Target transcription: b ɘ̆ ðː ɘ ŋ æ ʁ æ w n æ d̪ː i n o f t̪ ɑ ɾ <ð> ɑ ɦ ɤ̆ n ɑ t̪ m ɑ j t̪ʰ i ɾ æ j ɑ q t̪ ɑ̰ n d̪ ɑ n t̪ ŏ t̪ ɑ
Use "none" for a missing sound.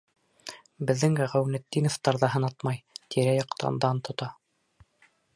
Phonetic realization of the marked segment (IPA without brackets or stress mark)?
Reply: ð